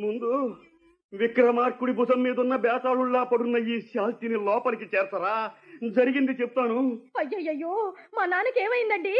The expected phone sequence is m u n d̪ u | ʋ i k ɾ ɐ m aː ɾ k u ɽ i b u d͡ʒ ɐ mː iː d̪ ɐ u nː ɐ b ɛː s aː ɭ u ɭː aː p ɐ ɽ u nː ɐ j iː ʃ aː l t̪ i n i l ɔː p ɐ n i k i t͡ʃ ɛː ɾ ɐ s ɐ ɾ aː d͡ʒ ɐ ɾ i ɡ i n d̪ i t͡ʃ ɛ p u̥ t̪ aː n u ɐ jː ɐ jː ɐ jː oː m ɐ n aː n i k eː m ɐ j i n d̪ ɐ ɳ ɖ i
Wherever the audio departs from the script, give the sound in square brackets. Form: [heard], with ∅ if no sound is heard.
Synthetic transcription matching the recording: m u n d̪ u | ʋ i k ɾ ɐ m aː ɾ k u ɽ i b u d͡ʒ ɐ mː iː d̪ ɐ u nː ɐ b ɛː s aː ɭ u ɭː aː p ɐ ɽ u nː ɐ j iː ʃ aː l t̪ i n i l ɔː p ɐ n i k i t͡ʃ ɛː ɾ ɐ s ɐ ɾ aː d͡ʒ ɐ ɾ i ɡ i n d̪ i t͡ʃ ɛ p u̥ t̪ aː n u ɐ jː ɐ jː ɐ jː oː m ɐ n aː n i k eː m ɐ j i n d̪ ɐ ɳ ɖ i